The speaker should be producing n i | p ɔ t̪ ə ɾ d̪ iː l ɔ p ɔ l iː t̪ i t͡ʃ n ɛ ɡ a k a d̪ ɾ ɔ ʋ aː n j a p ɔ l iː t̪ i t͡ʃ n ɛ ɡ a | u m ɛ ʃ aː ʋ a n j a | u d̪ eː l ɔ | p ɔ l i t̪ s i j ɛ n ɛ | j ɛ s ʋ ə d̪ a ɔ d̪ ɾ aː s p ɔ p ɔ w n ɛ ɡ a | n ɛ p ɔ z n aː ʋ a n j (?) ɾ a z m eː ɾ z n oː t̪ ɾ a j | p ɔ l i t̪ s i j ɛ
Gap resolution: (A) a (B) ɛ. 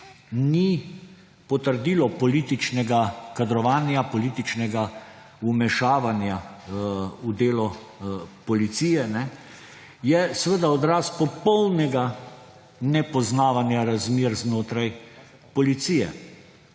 A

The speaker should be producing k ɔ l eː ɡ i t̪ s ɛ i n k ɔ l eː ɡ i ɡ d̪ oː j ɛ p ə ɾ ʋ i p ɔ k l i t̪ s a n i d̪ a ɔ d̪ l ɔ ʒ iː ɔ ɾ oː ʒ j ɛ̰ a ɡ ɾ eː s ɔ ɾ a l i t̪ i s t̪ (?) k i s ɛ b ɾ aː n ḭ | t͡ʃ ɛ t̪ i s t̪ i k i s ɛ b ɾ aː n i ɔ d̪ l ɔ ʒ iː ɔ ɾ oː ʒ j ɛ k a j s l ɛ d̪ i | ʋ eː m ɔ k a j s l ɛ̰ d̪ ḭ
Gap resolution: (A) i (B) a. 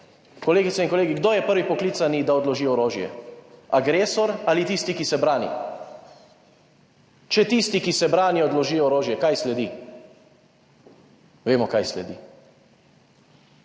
A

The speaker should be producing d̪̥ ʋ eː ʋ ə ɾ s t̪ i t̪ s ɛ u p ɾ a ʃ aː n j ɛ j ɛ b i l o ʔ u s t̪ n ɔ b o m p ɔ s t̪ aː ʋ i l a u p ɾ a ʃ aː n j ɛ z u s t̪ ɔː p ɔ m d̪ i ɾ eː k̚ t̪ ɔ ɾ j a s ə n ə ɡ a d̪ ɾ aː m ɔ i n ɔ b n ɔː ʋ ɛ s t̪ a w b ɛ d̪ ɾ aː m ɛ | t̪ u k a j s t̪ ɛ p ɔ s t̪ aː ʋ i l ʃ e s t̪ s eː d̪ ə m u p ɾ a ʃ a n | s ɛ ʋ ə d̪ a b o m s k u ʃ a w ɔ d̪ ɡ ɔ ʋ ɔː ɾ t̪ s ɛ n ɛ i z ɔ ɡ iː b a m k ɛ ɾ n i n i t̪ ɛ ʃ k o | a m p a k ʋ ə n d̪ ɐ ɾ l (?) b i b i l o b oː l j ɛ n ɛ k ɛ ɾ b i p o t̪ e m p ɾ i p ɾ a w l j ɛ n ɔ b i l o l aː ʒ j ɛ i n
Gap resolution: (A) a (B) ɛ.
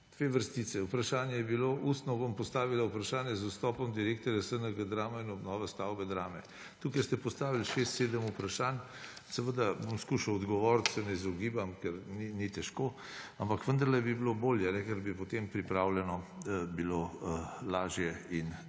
B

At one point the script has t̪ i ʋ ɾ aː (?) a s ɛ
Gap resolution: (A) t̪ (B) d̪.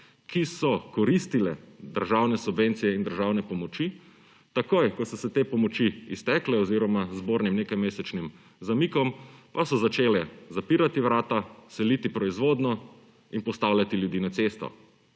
A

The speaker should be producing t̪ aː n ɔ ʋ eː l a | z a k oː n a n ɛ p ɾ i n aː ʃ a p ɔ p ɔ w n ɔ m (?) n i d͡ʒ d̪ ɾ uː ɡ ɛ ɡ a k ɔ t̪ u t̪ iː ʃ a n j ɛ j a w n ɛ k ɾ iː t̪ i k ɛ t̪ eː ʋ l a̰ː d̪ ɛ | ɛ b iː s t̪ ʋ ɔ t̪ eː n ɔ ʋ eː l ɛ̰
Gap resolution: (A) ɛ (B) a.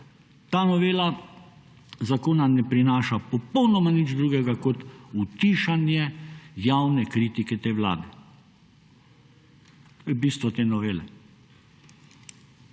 B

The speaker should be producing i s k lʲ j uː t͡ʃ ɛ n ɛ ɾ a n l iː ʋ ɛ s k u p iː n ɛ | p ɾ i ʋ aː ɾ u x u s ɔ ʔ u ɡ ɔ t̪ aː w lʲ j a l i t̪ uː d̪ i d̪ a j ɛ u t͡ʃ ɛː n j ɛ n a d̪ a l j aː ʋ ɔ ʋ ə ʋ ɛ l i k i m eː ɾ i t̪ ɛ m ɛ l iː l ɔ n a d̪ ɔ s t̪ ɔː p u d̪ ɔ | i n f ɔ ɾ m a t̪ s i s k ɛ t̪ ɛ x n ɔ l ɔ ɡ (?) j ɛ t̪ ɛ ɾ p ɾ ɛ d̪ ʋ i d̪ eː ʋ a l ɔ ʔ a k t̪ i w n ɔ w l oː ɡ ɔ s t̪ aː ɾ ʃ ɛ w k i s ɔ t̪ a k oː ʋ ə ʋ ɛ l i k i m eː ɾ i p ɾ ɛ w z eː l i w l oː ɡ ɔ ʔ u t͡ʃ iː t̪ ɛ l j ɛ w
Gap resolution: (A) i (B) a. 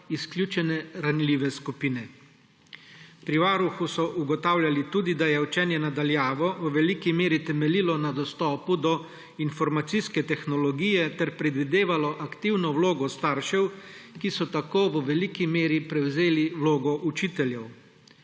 A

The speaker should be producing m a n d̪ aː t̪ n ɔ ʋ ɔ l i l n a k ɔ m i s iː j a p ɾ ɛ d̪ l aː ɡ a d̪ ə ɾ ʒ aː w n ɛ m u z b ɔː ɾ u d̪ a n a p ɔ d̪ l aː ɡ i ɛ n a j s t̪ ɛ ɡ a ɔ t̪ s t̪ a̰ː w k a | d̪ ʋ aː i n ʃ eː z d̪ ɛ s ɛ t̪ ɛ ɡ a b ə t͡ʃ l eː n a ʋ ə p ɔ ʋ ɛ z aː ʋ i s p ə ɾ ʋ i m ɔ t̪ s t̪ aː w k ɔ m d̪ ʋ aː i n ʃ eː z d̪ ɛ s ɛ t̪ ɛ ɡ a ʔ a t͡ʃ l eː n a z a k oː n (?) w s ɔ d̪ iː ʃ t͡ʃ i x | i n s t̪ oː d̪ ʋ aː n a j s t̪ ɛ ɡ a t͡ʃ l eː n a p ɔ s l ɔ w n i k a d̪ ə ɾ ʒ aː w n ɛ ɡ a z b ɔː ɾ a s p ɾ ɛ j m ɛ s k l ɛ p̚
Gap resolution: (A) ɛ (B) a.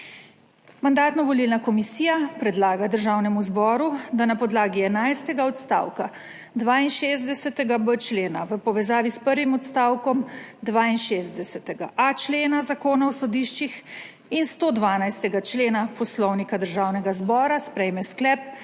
B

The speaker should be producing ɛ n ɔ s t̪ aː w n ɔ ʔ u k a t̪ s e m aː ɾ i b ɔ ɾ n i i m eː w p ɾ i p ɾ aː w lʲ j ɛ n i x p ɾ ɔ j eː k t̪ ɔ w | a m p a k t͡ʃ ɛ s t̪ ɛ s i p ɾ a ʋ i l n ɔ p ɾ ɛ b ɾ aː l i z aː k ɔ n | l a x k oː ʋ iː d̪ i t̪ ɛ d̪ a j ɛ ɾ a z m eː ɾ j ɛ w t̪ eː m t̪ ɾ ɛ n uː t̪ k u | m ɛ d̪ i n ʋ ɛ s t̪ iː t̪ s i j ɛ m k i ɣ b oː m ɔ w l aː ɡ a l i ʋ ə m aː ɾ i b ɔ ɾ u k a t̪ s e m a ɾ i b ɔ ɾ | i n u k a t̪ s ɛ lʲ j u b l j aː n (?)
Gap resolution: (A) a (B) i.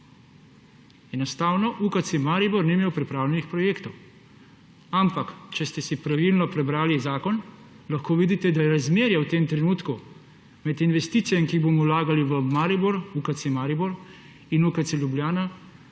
A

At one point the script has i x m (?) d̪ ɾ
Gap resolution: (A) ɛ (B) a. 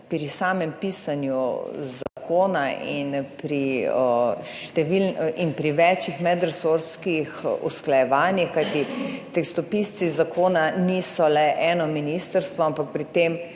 A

